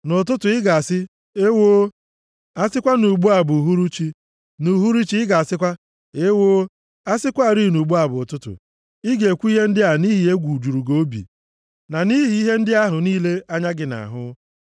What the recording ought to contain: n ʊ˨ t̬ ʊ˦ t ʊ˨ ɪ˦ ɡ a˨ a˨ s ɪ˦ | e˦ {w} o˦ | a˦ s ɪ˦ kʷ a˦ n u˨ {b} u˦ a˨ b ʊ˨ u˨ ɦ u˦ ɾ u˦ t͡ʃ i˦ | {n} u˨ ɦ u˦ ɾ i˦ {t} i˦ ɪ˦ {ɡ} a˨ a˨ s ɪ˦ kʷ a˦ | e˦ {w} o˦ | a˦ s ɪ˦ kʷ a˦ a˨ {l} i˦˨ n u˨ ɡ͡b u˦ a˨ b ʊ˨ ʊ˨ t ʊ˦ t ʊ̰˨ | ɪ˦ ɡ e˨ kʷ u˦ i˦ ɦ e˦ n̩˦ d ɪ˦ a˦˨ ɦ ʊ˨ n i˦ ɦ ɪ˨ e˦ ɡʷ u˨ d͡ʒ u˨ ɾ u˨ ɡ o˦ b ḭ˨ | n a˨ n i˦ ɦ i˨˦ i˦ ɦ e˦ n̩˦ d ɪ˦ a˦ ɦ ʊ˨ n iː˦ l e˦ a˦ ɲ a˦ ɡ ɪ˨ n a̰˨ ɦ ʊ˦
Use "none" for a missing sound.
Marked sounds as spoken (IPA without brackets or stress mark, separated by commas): w, ɡ͡b, n, t͡ʃ, ɡ, w, ɾ